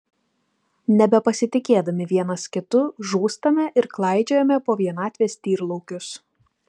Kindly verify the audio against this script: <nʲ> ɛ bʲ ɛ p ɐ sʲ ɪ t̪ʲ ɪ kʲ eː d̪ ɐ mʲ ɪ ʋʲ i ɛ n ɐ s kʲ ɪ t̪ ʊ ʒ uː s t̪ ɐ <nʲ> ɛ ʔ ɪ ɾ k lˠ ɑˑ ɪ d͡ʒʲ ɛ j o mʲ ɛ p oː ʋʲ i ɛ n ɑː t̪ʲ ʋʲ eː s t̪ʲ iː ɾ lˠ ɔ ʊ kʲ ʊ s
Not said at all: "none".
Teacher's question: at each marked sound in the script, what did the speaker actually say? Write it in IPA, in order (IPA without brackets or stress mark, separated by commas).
nʲ, mʲ